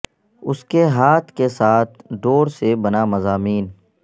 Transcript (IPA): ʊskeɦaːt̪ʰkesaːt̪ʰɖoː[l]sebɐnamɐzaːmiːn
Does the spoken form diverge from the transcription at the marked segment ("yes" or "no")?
yes